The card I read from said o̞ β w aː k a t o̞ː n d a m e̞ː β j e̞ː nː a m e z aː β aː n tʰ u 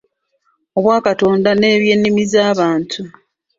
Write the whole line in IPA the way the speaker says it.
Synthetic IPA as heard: o̞ β w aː k a t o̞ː n d a n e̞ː β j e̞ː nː i m i z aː β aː n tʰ u